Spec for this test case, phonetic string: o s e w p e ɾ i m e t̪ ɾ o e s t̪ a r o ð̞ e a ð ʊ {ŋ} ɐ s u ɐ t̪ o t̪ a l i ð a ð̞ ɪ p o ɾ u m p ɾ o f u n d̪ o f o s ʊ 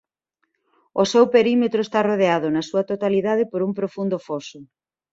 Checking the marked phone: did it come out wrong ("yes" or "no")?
yes